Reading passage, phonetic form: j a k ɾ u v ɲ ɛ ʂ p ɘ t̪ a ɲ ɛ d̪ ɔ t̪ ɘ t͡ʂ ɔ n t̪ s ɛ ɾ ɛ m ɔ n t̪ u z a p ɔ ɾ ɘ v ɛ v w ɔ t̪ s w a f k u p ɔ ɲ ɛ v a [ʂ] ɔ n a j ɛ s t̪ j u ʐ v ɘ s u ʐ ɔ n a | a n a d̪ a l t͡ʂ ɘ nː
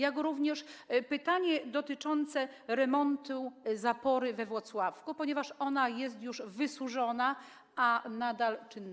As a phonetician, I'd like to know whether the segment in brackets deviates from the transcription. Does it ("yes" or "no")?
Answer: no